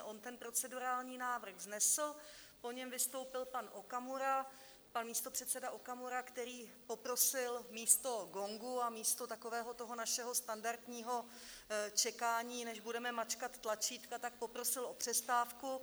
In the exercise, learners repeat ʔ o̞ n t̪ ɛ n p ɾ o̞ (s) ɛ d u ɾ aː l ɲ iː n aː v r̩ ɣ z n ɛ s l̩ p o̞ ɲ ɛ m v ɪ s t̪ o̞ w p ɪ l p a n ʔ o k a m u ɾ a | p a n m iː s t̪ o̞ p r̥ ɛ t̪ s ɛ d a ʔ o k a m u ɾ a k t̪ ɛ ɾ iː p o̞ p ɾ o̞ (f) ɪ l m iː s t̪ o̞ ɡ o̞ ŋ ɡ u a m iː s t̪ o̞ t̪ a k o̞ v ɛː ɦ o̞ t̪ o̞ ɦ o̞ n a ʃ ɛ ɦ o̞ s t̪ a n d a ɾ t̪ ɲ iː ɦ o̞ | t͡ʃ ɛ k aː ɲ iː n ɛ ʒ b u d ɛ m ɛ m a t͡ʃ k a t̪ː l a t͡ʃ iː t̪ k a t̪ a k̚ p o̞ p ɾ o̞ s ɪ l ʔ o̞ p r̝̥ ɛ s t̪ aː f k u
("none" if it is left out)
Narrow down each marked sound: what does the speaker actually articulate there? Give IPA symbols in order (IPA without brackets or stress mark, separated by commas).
t͡s, s